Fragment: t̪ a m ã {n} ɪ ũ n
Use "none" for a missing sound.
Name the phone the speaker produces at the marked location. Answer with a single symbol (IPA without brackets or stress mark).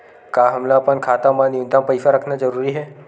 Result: n